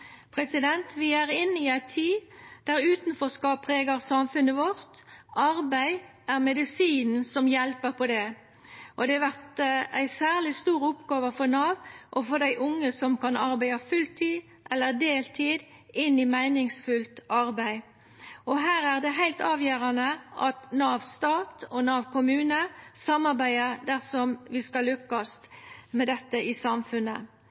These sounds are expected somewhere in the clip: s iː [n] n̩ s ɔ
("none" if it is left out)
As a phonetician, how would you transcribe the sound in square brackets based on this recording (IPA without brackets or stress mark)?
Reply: n